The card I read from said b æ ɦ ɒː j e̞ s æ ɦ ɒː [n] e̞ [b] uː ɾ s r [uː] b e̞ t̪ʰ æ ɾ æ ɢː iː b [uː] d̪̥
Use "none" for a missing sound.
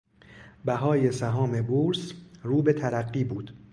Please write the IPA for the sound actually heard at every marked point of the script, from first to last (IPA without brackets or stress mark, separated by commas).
m, b, uː, uː